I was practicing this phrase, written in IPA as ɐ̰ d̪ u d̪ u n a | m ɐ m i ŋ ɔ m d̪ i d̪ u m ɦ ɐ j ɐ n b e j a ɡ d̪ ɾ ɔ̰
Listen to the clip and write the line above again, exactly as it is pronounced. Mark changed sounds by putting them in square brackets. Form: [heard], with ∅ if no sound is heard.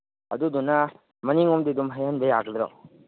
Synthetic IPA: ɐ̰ d̪ u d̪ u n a | m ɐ [n] i ŋ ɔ m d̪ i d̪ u m ɦ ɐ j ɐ n b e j a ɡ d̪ ɾ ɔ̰